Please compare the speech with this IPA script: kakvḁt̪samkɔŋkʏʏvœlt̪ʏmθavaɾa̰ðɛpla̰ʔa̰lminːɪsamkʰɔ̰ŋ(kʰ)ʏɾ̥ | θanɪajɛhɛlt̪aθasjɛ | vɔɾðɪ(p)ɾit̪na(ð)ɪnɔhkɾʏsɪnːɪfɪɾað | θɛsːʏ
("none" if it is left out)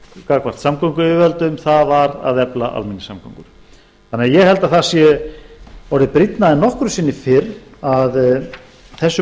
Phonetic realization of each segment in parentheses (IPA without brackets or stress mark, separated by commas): k, p, ð